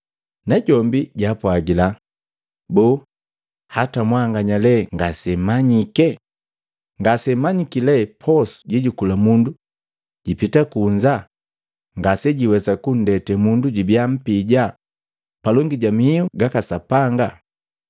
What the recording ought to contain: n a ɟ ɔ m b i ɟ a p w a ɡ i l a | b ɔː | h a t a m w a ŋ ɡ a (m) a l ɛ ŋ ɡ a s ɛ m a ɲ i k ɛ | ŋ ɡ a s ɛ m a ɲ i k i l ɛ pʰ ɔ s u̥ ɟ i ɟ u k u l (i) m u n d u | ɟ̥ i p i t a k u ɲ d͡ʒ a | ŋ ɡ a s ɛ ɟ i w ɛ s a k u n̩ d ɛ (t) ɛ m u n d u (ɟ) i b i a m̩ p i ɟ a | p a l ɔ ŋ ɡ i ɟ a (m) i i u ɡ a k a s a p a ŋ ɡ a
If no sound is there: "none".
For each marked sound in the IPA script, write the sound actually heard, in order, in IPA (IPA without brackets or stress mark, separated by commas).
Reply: ɲ, a, t, ɟ, m